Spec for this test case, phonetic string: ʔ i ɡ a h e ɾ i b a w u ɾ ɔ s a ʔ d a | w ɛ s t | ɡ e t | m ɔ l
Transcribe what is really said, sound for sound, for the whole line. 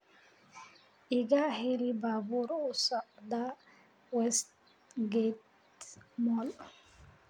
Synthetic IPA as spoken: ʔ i ɡ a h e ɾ i b a b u ɾ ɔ s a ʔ d a | w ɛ s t | ɡ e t | m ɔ l